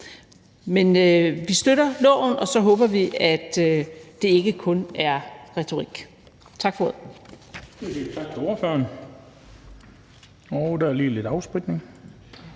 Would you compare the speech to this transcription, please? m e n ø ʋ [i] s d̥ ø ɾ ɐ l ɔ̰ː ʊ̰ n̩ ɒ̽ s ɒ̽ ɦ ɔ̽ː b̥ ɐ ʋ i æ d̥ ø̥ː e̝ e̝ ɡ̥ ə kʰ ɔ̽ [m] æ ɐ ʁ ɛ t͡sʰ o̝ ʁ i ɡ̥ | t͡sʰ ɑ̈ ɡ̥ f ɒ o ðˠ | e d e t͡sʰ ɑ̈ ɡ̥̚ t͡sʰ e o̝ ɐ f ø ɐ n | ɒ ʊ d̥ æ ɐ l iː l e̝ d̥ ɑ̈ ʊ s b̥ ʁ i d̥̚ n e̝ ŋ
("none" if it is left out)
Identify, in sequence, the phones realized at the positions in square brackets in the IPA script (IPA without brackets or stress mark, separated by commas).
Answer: i, n